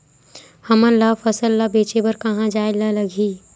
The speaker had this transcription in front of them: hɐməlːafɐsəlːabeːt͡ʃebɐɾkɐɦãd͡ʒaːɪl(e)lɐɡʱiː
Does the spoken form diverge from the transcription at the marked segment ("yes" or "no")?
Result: yes